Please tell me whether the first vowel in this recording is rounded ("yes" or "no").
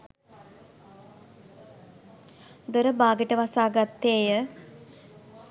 yes